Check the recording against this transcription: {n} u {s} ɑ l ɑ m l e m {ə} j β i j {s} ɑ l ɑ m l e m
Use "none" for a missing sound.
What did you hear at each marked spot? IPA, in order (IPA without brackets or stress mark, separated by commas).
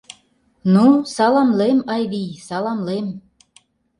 n, s, ɑ, s